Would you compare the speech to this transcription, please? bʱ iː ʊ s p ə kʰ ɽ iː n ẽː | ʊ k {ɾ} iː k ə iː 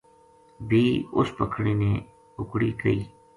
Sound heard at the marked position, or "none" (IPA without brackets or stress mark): ɽ